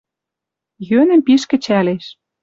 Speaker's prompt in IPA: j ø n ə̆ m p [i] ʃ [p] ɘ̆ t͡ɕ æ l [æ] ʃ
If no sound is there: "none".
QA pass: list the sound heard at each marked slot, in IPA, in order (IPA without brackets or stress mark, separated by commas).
i, k, e